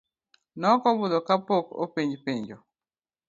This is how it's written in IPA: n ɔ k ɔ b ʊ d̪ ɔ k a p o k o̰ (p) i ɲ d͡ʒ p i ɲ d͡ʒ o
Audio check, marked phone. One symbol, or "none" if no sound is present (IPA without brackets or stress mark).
p